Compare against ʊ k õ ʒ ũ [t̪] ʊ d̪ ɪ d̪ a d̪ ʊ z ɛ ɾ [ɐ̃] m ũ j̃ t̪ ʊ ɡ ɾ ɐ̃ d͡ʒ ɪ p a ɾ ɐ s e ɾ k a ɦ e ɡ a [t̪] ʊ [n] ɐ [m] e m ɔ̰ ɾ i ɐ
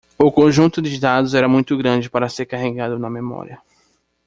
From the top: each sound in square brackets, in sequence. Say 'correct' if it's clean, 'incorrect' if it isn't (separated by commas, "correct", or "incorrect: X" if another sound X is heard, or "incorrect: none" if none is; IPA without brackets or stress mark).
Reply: correct, incorrect: ɐ, incorrect: d̪, correct, correct